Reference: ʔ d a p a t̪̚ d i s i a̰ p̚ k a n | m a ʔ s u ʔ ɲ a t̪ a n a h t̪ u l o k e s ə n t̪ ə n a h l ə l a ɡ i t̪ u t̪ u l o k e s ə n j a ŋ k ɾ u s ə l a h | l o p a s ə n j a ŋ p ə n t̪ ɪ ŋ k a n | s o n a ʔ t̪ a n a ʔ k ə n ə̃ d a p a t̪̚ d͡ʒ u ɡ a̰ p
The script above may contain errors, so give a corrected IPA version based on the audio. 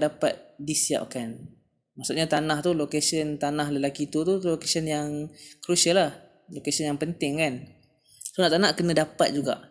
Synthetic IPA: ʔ d a p a t̪̚ d i s i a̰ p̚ k a n | m a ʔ s u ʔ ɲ a t̪ a n a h t̪ u l o k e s ə n t̪ a n a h l ə l a k i t̪ u t̪ u l o k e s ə n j a ŋ k ɾ u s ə l a h | l o k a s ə n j a ŋ p ə n t̪ ɪ ŋ k a n | s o n a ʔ t̪ a n a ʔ k ə n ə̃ d a p a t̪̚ d͡ʒ u ɡ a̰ ʔ